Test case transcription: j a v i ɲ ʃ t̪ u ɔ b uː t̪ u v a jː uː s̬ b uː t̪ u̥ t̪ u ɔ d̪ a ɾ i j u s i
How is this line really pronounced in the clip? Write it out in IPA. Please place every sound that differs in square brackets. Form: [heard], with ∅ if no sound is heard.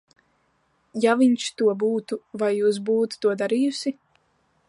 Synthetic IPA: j a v i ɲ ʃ t̪ u ɔ b uː t̪ u v a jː uː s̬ b uː t̪ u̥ t̪ u ɔ d̪ a ɾ i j u s i